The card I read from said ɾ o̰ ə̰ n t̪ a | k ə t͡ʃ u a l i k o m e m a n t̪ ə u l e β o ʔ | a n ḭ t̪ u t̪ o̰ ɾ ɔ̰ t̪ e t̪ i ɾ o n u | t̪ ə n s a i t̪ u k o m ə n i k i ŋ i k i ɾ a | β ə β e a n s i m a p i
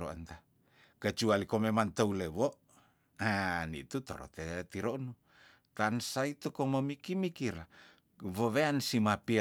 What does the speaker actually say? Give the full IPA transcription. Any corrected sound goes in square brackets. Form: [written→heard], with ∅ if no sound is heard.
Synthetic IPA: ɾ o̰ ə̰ n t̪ a | k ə t͡ʃ u a l i k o m e m a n t̪ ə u l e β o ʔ | a n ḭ t̪ u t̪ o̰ ɾ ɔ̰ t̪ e t̪ i ɾ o n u | t̪ [ə→a] n s a i t̪ u k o m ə [n→m] i k i [ŋ→m] i k i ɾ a | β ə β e a n s i m a p i